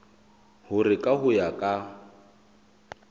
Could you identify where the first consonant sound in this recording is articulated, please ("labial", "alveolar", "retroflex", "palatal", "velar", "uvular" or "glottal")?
glottal